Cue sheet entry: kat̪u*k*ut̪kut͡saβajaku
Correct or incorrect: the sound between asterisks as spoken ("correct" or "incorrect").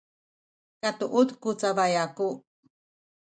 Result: incorrect